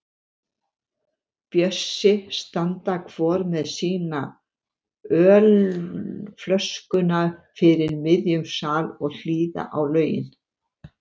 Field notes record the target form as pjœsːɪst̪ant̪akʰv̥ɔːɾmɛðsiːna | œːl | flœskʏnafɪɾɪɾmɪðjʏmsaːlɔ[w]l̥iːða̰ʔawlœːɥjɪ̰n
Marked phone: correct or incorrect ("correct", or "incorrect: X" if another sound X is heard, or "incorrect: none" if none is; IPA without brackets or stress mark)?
incorrect: ɣ